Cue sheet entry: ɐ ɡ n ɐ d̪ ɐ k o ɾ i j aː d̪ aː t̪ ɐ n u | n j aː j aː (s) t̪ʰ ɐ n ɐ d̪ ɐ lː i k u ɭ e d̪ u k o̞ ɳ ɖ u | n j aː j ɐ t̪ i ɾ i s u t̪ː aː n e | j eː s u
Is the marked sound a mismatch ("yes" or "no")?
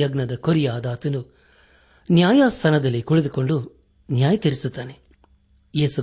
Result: no